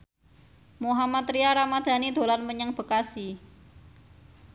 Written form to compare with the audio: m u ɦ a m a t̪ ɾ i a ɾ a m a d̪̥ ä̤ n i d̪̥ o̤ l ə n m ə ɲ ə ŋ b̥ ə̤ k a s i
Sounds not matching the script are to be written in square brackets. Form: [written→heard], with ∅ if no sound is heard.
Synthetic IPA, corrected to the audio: m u ɦ a m a t̪ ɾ i a ɾ a m a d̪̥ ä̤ n i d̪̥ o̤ l [ə→a] n m ə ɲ ə ŋ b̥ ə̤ k a s i